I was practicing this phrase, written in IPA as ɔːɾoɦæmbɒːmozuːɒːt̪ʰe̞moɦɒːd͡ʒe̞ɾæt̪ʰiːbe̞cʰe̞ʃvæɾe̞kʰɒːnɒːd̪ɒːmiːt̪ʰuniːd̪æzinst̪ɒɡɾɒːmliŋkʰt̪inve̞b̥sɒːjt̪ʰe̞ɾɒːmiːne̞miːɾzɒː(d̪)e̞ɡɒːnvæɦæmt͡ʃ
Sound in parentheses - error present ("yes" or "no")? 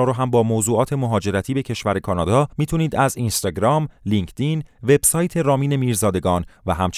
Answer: no